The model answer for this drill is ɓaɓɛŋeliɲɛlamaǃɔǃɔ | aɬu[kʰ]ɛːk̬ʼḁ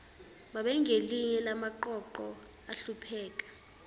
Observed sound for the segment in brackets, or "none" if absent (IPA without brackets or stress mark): pʰ